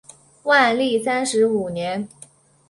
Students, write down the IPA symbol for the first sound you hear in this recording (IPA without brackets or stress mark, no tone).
w